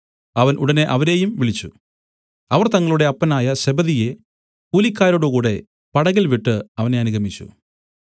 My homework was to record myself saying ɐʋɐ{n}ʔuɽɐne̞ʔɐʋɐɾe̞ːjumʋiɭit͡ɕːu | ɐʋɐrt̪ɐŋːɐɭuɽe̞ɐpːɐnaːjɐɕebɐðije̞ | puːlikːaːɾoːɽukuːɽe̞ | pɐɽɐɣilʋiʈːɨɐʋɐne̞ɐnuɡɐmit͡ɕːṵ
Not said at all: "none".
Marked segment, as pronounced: n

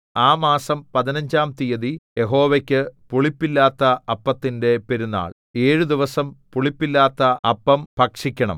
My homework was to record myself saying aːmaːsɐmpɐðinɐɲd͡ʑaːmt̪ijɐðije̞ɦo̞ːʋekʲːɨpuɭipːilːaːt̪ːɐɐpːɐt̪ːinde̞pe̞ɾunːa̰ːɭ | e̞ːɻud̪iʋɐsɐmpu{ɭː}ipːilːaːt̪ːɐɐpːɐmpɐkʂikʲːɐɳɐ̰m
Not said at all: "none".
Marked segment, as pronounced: ɭ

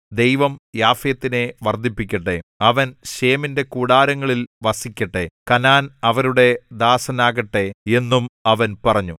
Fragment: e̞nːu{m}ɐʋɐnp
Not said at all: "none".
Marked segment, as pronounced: m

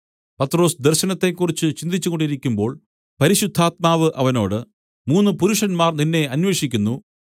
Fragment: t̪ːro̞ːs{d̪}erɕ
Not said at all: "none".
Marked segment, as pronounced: d̪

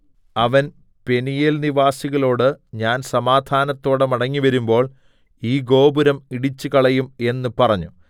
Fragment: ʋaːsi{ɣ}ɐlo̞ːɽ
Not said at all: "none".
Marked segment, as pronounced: ɣ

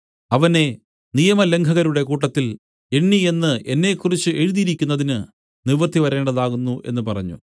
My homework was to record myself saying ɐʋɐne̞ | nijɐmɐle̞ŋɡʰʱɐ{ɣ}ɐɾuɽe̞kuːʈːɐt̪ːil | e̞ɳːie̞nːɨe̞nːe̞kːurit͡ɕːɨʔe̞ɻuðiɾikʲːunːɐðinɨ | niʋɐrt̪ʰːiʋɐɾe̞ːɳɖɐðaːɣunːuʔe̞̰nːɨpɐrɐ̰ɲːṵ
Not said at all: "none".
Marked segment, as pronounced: ɣ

